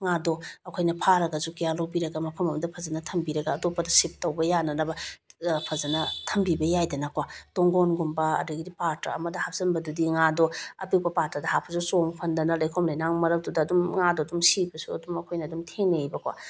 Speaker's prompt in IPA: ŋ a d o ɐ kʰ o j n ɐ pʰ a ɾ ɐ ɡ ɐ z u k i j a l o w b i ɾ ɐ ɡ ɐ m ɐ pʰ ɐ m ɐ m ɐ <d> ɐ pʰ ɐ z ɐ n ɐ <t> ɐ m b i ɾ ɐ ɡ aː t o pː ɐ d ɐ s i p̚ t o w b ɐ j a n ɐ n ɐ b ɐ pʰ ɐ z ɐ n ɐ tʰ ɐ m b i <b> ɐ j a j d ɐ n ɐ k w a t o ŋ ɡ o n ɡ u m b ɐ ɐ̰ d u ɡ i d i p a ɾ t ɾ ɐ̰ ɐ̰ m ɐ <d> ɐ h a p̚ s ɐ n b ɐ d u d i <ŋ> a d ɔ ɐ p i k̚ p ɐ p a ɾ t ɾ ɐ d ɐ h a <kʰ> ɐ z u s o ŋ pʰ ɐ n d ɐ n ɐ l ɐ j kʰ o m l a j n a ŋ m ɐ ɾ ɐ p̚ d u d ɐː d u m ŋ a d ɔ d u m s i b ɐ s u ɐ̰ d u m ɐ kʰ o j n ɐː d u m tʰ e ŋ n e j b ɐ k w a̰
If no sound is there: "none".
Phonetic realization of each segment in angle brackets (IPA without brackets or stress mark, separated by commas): d, tʰ, b, d, ŋ, pʰ